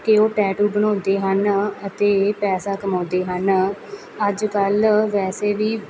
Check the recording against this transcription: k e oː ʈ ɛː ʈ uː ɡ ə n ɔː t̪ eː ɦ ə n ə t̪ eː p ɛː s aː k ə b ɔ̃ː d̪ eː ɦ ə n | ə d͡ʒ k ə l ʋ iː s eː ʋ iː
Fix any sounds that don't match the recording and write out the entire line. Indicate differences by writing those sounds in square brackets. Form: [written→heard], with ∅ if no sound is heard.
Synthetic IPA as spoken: k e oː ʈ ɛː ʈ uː [ɡ→b] ə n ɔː [t̪→d̪] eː ɦ ə n ə t̪ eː p ɛː s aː k ə [b→m] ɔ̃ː d̪ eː ɦ ə n | ə d͡ʒ k ə l ʋ [iː→ɛː] s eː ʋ iː